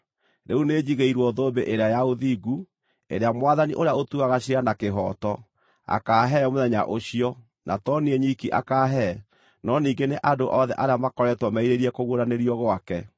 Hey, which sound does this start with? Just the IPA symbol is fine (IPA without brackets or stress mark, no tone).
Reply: ɾ